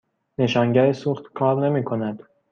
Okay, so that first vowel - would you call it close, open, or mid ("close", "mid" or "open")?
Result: mid